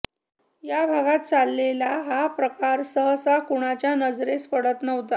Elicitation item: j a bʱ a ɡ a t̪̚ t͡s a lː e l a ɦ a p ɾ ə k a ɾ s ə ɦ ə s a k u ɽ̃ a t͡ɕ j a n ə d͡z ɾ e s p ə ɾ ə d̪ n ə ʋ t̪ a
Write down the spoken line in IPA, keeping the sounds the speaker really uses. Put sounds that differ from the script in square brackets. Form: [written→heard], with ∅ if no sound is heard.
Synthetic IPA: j a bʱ a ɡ a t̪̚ t͡s a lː e l a ɦ a p ɾ ə k a ɾ s ə ɦ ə s a k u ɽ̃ a t͡ɕ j a n ə d͡z ɾ e s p ə [ɾ→ɽ] ə [d̪→t̪] n ə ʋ t̪ a